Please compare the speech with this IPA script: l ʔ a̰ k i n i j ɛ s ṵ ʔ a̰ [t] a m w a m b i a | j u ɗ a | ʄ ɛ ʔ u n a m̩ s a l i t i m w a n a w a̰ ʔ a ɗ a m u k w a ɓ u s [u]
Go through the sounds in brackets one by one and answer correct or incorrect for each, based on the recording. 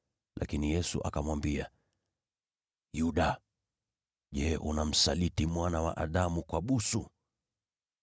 incorrect, correct

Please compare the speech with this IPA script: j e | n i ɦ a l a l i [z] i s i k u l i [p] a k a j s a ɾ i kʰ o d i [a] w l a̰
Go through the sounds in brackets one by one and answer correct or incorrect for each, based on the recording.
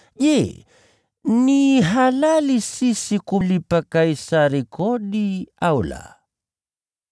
incorrect, correct, correct

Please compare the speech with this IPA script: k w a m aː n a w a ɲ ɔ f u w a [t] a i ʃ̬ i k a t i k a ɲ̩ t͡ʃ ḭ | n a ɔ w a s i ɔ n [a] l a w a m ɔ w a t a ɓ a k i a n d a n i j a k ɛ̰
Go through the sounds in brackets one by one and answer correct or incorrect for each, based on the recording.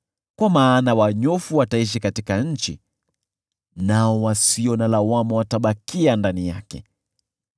correct, correct

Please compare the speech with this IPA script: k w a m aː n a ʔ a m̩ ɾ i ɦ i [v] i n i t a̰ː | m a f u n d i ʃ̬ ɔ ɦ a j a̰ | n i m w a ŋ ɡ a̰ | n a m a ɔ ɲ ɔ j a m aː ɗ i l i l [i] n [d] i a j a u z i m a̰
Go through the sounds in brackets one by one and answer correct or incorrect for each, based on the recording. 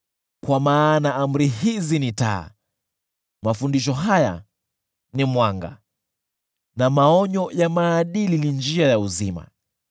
incorrect, correct, incorrect

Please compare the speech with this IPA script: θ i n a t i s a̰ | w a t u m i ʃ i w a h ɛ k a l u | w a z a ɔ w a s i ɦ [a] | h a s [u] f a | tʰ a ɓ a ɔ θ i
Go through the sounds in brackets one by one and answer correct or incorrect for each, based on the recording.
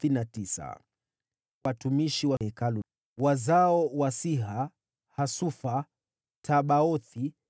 correct, correct

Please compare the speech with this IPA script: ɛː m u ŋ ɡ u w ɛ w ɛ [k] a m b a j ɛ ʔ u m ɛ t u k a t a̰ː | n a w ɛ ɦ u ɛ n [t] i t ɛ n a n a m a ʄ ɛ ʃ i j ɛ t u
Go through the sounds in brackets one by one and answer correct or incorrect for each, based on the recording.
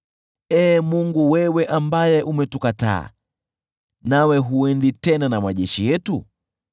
incorrect, incorrect

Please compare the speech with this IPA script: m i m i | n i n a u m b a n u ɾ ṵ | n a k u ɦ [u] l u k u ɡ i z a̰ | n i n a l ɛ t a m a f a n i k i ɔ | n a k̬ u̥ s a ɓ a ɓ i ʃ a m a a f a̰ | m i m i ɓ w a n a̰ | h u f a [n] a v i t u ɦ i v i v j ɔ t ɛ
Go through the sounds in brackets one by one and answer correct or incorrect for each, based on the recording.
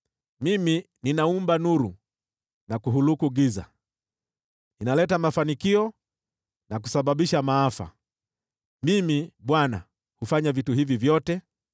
correct, incorrect

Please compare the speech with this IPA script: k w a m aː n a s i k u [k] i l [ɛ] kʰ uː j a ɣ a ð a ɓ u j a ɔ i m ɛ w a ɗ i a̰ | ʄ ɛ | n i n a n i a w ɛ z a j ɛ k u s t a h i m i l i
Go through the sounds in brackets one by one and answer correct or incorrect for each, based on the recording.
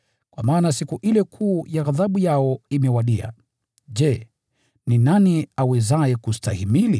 incorrect, correct

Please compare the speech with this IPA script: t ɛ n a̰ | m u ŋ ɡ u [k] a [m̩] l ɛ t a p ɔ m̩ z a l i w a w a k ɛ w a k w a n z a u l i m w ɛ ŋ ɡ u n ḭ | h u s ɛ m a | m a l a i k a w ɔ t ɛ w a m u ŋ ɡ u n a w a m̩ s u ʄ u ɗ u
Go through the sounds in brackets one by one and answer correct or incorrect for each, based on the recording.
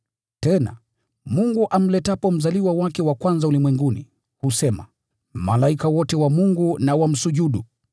incorrect, correct

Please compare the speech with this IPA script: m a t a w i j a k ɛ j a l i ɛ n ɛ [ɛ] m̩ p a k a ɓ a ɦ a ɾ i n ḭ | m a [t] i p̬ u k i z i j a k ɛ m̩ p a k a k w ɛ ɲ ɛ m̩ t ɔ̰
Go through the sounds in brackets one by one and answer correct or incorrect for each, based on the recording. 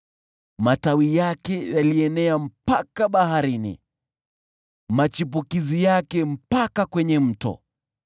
incorrect, incorrect

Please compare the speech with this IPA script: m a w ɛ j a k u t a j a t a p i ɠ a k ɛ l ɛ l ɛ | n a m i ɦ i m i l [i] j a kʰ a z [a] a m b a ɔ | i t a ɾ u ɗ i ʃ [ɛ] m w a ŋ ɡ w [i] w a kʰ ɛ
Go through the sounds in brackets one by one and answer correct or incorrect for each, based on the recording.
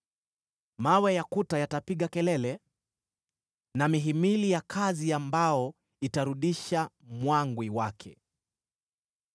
correct, incorrect, incorrect, correct

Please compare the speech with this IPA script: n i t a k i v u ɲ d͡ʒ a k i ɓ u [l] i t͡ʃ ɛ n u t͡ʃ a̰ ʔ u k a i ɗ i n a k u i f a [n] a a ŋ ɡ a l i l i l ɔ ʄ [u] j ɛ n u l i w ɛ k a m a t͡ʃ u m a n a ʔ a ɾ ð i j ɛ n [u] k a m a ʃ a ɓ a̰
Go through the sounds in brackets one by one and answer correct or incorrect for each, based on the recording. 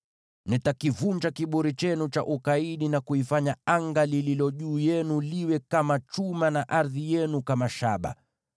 incorrect, incorrect, incorrect, correct

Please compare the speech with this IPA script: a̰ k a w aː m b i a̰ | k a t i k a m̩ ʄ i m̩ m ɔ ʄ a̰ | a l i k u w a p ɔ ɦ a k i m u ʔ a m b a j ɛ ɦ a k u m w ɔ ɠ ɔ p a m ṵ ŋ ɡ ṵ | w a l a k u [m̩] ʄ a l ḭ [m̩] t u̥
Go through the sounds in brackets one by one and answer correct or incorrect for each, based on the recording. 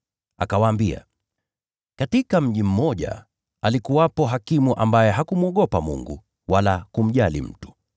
correct, correct

